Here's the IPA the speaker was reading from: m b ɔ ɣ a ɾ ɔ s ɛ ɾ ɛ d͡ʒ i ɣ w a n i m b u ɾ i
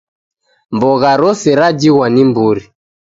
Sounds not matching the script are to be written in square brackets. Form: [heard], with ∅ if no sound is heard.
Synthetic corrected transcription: m b ɔ ɣ a ɾ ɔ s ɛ ɾ [a] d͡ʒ i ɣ w a n i m b u ɾ i